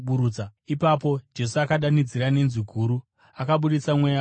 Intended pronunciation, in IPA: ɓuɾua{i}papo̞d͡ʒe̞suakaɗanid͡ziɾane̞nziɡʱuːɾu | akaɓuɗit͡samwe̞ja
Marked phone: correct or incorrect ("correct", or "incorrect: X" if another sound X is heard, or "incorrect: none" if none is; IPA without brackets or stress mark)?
correct